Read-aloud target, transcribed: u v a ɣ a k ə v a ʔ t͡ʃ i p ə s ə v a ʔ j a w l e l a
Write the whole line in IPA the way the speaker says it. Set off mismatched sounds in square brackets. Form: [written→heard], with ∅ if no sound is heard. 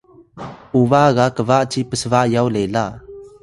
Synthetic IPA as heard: u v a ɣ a k ə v a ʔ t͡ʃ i p ə s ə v a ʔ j a w l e l a